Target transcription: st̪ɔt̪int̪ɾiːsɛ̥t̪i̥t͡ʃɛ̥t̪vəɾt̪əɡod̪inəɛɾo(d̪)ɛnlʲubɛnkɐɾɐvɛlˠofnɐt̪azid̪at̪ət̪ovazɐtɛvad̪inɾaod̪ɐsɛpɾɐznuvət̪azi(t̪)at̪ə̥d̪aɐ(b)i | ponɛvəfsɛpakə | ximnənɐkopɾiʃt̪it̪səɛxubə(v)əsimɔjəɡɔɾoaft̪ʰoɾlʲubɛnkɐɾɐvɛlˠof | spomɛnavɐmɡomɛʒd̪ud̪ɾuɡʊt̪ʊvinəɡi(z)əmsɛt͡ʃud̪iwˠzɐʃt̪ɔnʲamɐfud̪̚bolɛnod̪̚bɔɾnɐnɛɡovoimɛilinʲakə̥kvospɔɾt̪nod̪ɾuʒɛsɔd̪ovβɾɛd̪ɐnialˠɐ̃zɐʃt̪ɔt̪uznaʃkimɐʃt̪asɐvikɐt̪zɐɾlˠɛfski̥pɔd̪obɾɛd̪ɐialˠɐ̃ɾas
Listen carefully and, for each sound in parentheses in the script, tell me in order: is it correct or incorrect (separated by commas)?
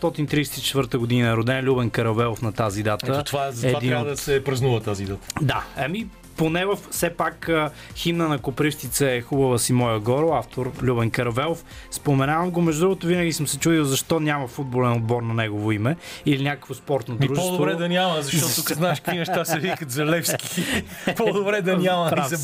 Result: correct, incorrect, incorrect, correct, incorrect